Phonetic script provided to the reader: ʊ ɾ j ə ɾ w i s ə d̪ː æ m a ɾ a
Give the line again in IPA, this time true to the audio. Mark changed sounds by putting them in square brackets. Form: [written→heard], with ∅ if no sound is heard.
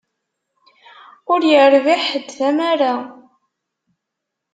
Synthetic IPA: ʊ ɾ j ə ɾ [w→v] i [s→ħ] ə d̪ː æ m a ɾ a